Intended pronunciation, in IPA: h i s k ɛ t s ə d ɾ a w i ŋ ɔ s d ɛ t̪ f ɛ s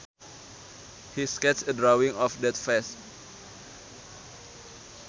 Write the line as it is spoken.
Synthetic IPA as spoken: h i s k ɛ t s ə d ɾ a w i ŋ ɔ f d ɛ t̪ f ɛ s